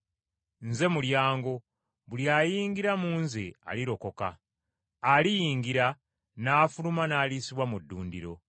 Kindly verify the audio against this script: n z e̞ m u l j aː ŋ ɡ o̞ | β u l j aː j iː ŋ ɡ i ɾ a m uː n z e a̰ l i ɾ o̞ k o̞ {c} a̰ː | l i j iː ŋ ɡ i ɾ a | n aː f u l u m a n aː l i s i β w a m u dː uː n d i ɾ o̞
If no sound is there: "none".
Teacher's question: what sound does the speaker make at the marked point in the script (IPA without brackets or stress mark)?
k